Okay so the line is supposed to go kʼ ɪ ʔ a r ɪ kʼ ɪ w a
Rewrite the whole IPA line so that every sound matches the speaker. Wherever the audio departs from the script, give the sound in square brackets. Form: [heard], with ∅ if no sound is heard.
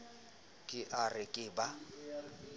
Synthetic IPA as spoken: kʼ ɪ ʔ a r ɪ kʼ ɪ [b] a